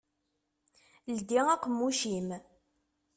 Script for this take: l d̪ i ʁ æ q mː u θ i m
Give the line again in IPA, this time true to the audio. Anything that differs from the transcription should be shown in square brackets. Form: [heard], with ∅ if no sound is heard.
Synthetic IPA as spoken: l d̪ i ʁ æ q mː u [ʃ] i m